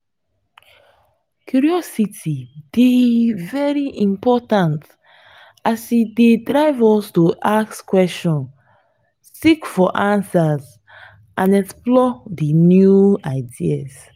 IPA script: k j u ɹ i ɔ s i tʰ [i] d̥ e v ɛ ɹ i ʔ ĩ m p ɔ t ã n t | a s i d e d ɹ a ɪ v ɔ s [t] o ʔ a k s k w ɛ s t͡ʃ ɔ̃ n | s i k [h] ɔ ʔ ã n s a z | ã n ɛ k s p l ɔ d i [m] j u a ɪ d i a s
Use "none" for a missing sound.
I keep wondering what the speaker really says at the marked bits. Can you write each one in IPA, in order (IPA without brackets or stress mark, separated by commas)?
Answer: i, t, f, n